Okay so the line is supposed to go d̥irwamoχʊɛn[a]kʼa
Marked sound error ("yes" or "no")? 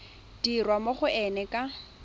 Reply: yes